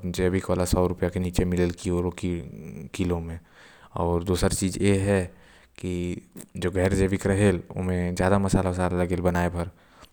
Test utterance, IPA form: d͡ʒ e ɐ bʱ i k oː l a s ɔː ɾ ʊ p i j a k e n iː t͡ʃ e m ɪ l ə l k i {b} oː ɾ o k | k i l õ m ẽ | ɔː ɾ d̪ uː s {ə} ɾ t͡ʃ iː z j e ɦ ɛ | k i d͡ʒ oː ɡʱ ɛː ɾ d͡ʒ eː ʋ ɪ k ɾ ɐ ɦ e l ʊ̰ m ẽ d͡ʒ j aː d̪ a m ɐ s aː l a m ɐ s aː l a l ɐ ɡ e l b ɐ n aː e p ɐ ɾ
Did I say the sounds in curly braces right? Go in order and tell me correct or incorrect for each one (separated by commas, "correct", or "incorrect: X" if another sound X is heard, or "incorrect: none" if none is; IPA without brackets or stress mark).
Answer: incorrect: none, correct